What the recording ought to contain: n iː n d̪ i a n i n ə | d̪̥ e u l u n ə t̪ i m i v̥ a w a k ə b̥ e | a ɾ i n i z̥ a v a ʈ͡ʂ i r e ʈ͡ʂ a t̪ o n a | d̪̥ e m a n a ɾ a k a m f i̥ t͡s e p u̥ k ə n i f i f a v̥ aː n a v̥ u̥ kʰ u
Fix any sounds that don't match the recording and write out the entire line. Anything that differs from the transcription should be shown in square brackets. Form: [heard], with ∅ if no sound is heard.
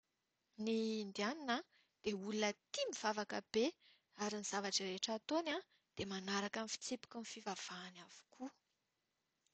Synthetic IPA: n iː n d̪ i a n i n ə | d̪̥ e u l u n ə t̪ i m i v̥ a [v] a k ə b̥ e | a ɾ i n i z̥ a v a ʈ͡ʂ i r e ʈ͡ʂ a t̪ o n a | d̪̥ e m a n a ɾ a k a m f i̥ t͡s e p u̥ k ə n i f i [v] a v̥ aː n a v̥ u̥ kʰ u